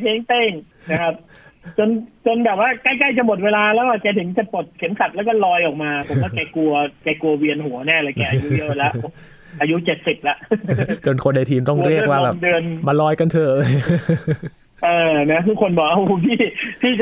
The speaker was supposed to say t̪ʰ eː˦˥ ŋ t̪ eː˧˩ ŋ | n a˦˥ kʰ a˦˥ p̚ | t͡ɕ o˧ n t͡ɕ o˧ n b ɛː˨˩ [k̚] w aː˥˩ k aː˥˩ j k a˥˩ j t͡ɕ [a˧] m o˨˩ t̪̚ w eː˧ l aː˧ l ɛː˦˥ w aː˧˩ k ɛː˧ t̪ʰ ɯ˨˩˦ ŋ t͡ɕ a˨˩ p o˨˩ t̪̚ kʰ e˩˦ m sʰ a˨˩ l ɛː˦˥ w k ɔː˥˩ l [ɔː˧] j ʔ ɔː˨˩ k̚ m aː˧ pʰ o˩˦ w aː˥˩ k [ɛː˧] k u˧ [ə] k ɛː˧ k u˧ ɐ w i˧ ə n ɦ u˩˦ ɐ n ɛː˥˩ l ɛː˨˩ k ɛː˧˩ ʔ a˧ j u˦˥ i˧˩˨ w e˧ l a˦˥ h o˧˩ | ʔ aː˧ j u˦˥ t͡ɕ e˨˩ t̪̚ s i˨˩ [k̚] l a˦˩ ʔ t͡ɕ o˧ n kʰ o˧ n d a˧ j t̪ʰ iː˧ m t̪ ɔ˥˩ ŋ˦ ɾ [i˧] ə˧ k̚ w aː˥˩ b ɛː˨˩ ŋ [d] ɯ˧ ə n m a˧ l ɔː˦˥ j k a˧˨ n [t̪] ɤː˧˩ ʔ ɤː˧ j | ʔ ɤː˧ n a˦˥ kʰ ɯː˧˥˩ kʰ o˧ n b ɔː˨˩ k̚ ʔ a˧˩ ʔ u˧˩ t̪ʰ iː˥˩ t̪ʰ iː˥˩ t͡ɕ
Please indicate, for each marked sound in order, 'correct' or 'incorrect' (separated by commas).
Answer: incorrect, incorrect, correct, correct, incorrect, incorrect, incorrect, correct, incorrect